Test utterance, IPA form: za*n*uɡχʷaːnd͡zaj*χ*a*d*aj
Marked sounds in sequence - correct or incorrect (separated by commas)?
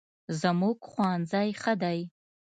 incorrect, correct, correct